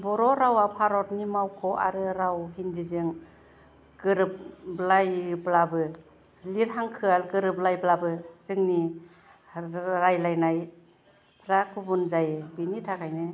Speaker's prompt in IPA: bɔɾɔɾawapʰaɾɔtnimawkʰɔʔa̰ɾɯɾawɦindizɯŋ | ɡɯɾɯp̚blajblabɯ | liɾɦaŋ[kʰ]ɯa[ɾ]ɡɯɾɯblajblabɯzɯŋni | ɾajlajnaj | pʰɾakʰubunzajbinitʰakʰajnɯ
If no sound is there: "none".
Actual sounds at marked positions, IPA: kʰ, l

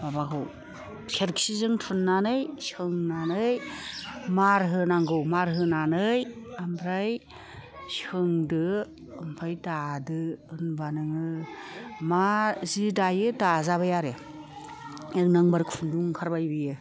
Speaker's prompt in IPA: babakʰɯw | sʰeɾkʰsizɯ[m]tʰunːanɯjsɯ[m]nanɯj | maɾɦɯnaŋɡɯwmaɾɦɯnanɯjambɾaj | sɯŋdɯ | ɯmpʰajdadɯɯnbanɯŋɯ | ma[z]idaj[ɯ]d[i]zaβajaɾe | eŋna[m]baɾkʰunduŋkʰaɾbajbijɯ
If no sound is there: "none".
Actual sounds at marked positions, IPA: ŋ, ŋ, z, ɯ, a, ŋ

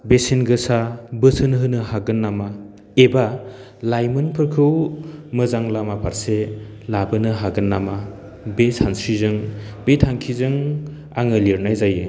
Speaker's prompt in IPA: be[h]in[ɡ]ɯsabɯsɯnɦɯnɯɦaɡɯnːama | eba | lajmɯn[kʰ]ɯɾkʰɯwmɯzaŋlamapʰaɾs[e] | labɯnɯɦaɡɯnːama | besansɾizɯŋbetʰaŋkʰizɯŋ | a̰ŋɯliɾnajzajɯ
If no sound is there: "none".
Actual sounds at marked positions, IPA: s, ɡ, pʰ, e

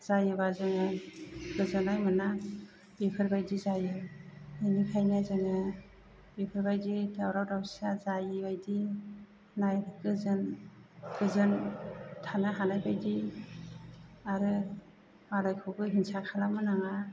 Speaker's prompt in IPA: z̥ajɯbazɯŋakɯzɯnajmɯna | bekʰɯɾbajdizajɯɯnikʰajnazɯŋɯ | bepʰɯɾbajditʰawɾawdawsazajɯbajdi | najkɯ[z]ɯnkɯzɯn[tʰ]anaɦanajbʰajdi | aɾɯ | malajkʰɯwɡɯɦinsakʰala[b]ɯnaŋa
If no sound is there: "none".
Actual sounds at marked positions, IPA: z, tʰ, m

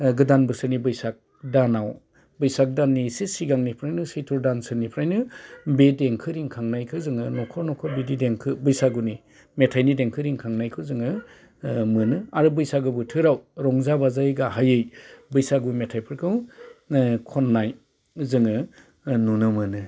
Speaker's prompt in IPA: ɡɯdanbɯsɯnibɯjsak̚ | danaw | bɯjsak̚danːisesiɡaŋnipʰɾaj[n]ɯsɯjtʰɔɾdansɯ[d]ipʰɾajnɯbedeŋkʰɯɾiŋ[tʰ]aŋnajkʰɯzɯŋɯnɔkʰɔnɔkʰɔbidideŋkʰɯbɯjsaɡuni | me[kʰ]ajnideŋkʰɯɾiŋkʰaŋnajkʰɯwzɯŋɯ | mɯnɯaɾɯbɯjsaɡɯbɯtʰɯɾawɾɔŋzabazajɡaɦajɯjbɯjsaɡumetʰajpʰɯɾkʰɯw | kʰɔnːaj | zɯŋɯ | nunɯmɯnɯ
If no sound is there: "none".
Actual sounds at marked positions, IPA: n, n, kʰ, tʰ

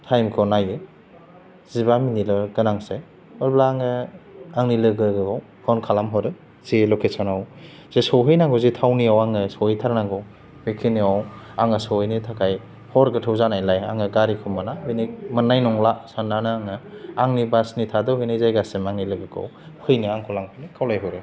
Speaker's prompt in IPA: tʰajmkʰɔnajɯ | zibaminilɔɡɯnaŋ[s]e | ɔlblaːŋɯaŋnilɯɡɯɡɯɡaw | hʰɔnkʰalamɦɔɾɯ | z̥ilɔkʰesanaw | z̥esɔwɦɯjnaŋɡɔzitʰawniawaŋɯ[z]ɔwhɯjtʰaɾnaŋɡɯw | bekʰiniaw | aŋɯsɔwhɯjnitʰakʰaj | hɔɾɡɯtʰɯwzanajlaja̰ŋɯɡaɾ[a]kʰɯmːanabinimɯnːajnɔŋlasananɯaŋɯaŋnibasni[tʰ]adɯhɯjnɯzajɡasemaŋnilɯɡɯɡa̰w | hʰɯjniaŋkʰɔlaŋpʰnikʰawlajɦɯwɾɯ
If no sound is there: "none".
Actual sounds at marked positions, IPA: s, s, i, tʰ

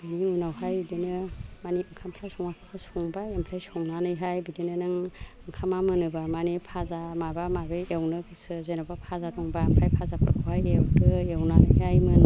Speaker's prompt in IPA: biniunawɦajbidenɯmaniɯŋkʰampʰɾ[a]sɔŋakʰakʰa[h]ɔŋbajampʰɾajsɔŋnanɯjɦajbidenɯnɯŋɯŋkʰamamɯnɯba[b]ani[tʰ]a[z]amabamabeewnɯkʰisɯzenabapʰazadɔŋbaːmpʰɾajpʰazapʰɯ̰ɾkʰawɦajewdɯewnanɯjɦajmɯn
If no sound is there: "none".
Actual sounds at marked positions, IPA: a, s, m, pʰ, z

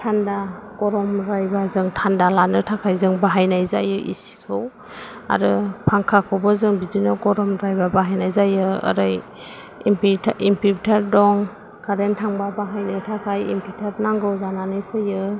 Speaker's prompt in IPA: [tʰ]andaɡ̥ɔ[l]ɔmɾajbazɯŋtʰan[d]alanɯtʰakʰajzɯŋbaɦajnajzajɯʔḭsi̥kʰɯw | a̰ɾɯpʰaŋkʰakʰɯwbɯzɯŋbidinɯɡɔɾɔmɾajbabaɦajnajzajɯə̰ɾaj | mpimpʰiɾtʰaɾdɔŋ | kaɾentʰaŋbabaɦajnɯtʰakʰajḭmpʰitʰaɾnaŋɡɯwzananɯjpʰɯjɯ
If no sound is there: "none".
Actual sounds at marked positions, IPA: tʰ, ɾ, d

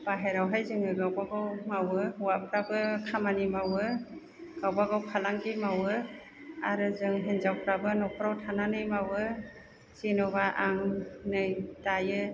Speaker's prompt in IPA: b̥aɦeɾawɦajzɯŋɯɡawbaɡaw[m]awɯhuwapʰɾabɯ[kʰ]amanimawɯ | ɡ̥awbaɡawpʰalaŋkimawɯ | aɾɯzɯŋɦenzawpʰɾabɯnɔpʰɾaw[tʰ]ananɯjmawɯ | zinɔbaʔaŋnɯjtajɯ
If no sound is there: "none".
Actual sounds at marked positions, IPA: m, kʰ, tʰ

